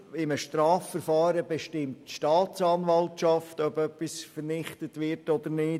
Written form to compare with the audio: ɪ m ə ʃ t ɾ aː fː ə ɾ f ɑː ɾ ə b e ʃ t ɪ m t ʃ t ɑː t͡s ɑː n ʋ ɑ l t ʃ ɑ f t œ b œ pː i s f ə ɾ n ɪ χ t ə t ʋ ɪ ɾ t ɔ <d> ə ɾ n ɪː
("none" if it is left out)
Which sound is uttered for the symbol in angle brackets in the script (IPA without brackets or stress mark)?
d